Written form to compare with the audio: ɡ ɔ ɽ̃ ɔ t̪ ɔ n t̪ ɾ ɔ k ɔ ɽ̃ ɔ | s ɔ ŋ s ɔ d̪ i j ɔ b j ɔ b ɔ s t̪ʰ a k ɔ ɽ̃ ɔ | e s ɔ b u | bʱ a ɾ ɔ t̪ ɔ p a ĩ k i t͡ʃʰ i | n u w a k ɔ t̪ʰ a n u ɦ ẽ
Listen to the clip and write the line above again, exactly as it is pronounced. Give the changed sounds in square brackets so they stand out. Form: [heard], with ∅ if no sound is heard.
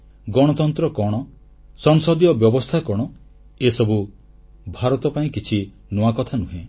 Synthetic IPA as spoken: ɡ ɔ ɽ̃ ɔ t̪ ɔ n t̪ ɾ ɔ k ɔ ɽ̃ ɔ | s ɔ ŋ s ɔ d̪ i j ɔ b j ɔ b ɔ s t̪ʰ a k ɔ ɽ̃ ɔ | e s ɔ b u | bʱ a ɾ ɔ t̪ ɔ p a ĩ k i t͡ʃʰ i | n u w a k ɔ t̪ʰ a n u ɦ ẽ

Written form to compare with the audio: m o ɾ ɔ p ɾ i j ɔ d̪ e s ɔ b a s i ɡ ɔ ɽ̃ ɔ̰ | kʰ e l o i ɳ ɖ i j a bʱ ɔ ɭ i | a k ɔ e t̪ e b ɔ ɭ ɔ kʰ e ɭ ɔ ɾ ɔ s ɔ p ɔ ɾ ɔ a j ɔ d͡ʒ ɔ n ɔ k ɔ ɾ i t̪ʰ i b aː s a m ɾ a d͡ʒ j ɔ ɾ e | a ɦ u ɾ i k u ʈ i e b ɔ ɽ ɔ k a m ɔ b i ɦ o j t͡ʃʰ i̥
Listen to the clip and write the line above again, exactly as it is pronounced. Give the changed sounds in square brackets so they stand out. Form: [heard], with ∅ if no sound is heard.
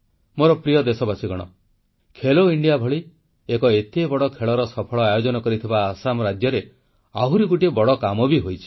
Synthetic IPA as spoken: m o ɾ ɔ p ɾ i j ɔ d̪ e s ɔ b a s i ɡ ɔ ɽ̃ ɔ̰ | kʰ e l o i ɳ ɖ i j a bʱ ɔ ɭ i | [e] k ɔ e t̪ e b ɔ [ɽ] ɔ kʰ e ɭ ɔ ɾ ɔ s ɔ [pʰ] ɔ [ɭ] ɔ a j [o] d͡ʒ ɔ n ɔ k ɔ ɾ i t̪ʰ i b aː s a m ɾ a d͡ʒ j ɔ ɾ e | a ɦ u ɾ i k u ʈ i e b ɔ ɽ ɔ k a m ɔ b i ɦ o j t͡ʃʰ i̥

